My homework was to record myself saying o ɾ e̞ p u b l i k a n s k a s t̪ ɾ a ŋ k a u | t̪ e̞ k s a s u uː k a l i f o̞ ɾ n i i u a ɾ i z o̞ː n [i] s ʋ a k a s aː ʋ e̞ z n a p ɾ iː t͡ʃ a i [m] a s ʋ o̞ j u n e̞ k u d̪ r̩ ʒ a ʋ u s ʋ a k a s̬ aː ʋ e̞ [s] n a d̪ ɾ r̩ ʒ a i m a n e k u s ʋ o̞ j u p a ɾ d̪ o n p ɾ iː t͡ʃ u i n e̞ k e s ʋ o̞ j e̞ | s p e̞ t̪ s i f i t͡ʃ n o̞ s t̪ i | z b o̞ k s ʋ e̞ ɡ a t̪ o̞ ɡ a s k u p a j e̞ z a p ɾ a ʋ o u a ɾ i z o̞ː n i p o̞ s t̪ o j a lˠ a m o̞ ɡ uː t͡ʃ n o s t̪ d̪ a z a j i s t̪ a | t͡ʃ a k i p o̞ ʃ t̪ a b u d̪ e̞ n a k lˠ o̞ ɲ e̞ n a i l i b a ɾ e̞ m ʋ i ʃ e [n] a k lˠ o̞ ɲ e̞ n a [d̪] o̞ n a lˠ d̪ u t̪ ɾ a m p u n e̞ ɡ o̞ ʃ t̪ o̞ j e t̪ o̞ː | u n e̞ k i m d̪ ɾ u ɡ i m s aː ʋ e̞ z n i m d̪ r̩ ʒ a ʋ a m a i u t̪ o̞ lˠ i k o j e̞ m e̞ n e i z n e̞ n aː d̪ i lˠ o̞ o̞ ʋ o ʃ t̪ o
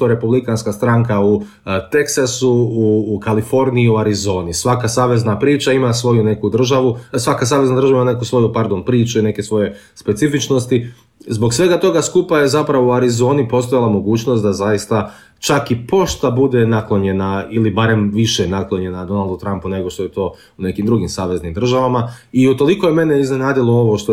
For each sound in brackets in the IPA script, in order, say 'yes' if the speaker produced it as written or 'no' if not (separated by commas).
yes, yes, no, yes, yes